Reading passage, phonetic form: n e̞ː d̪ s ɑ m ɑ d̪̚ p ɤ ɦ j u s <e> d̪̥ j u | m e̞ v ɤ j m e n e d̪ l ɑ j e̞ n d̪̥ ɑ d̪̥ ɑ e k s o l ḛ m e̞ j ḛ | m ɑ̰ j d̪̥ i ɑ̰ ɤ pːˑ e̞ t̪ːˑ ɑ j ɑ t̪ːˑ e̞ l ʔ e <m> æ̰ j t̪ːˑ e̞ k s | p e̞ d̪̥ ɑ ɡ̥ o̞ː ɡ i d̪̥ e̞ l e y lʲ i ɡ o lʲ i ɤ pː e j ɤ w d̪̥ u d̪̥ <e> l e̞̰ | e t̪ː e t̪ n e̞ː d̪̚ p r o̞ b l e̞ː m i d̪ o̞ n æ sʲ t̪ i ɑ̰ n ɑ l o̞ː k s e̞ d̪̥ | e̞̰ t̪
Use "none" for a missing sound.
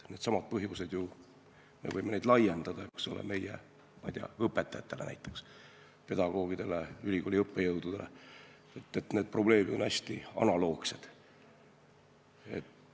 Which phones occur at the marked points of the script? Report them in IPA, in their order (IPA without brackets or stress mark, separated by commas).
e, n, e